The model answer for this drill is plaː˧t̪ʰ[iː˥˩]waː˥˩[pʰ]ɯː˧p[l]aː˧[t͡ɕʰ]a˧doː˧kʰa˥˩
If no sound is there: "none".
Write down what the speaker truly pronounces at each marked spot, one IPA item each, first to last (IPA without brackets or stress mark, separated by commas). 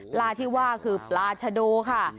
iː˥˩, kʰ, l, t͡ɕʰ